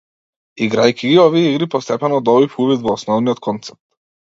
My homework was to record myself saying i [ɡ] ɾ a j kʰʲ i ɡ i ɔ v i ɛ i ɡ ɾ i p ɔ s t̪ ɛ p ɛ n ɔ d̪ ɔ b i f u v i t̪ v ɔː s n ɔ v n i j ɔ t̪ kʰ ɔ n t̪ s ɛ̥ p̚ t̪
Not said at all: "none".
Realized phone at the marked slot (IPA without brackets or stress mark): ɡ